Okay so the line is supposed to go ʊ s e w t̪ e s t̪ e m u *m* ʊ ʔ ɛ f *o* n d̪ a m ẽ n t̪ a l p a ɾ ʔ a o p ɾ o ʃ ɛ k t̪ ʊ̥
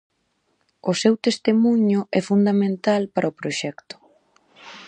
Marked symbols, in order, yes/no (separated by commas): no, no